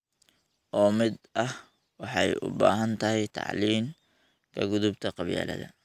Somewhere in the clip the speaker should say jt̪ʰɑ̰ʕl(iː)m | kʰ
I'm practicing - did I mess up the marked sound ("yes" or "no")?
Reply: no